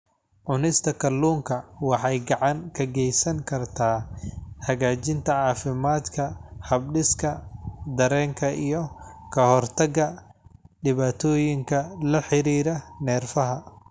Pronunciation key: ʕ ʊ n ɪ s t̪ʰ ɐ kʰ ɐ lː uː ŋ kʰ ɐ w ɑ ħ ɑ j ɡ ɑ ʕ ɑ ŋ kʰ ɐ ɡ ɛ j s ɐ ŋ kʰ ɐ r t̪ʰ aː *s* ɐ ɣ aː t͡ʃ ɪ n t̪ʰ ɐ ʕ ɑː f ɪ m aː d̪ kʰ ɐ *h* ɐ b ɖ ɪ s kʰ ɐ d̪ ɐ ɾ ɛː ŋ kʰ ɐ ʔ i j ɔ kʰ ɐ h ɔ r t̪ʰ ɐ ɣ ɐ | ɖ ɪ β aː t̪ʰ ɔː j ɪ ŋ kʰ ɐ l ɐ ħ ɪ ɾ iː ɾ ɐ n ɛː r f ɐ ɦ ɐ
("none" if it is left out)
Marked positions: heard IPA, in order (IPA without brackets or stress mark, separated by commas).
h, h